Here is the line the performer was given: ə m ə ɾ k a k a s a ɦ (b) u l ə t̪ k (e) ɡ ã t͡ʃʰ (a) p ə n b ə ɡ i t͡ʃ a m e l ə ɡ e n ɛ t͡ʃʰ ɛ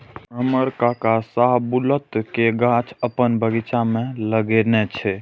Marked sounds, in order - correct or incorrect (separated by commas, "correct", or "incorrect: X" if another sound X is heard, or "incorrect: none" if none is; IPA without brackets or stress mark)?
correct, correct, incorrect: ə